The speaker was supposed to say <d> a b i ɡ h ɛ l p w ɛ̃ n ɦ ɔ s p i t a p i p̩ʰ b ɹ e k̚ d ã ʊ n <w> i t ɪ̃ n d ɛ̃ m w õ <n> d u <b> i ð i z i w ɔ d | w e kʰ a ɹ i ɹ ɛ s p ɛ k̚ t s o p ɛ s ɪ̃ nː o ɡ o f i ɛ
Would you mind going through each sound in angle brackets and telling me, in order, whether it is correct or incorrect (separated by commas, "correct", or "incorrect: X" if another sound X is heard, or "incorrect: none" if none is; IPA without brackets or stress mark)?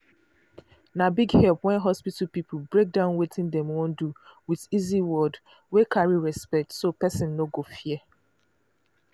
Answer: incorrect: n, correct, correct, incorrect: w